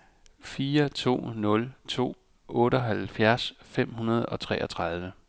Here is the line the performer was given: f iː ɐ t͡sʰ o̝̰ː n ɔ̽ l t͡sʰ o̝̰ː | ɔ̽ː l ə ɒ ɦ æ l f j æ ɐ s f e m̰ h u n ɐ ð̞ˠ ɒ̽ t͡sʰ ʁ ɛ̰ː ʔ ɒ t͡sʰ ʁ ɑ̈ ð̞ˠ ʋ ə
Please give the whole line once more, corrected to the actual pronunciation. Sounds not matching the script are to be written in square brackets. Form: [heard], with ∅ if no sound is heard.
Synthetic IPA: f iː ɐ t͡sʰ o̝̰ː n ɔ̽ l t͡sʰ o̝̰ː | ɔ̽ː [ɾ] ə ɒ ɦ æ l f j æ ɐ s f e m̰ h u n ɐ ð̞ˠ ɒ̽ t͡sʰ ʁ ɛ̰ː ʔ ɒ t͡sʰ ʁ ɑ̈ ð̞ˠ ʋ ə